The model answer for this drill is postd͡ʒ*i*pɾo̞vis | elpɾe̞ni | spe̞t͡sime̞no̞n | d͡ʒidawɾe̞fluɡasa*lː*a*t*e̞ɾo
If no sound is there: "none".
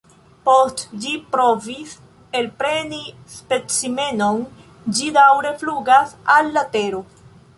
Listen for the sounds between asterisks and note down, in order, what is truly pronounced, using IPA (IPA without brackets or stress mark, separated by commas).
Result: i, lː, t